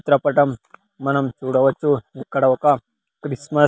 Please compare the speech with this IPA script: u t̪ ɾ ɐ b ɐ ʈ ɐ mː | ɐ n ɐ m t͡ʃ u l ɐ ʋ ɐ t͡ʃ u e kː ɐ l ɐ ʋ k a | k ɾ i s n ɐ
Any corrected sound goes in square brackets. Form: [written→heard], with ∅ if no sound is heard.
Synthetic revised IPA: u t̪ ɾ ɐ [b→p] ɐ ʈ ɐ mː | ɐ n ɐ m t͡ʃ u [l→ɽ] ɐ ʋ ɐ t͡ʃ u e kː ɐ [l→ɽ] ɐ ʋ k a | k ɾ i s [n→m] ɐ